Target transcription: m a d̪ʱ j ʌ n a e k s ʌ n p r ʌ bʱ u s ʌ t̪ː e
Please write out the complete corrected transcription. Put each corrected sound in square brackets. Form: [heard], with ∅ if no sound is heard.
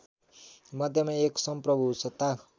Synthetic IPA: m [ʌ] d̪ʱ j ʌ [m] a e k s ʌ [m] p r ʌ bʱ u s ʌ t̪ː [a]